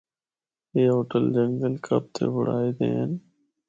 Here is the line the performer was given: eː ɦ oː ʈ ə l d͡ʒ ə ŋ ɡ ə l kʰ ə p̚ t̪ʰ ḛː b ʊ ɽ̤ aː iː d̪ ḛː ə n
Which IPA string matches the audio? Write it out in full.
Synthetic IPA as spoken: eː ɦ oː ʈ ə l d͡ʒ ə ŋ ɡ ə l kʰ ə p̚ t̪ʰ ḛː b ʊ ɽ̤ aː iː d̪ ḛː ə n